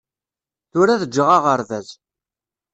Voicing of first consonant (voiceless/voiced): voiceless